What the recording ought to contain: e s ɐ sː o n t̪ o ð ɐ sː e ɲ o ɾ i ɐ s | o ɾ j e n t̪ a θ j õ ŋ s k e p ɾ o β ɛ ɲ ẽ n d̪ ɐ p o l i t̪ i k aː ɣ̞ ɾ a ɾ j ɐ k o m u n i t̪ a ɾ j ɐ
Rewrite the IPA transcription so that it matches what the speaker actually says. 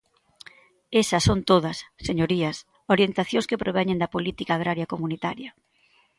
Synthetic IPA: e s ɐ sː o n t̪ o ð ɐ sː e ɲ o ɾ i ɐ s | o ɾ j e n t̪ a θ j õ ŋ s k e p ɾ o β ɛ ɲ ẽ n d̪ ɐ p o l i t̪ i k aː ɣ̞ ɾ a ɾ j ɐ k o m u n i t̪ a ɾ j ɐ